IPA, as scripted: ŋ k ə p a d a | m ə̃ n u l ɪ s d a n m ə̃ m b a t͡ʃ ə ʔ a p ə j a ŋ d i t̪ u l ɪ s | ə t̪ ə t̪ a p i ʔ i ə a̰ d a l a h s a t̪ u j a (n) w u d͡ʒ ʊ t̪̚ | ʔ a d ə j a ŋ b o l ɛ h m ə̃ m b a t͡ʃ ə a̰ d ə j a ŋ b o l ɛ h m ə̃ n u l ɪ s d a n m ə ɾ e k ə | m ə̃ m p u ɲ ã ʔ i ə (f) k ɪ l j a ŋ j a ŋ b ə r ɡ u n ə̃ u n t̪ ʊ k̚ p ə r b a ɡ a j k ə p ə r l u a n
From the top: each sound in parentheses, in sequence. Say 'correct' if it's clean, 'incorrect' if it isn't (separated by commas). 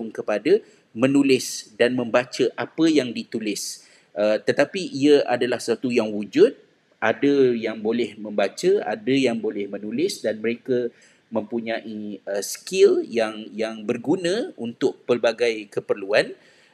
incorrect, incorrect